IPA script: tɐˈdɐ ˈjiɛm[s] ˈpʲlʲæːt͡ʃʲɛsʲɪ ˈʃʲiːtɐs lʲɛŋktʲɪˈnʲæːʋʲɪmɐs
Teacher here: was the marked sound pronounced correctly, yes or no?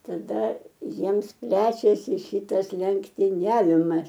yes